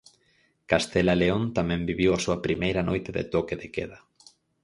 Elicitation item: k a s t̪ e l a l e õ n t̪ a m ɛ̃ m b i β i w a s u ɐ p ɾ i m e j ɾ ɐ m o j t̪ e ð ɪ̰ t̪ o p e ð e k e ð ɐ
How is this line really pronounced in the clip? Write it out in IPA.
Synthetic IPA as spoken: k a s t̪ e l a l e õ n t̪ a m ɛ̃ m b i β i w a s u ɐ p ɾ i m e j ɾ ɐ n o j t̪ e ð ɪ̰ t̪ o k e ð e k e ð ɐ